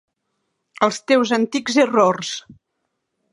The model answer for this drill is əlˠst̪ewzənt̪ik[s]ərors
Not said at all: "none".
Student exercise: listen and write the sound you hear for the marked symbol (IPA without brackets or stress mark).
z